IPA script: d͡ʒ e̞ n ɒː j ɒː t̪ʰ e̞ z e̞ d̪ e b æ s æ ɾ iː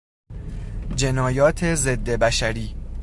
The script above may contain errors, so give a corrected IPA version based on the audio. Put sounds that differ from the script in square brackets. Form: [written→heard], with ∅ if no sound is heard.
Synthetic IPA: d͡ʒ e̞ n ɒː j ɒː t̪ʰ e̞ z e̞ [d̪→d̪ː] e b æ [s→ʃ] æ ɾ iː